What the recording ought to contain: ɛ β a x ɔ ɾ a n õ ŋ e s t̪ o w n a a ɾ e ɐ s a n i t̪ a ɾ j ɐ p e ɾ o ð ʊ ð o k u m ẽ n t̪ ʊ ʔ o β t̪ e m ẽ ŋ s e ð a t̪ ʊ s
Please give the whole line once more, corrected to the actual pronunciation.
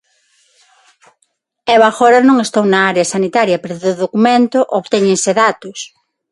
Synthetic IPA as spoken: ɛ β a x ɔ ɾ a n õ ŋ e s t̪ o w n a a ɾ e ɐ s a n i t̪ a ɾ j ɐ p e ɾ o ð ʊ ð o k u m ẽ n t̪ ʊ ʔ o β t̪ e ɲ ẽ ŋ s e ð a t̪ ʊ s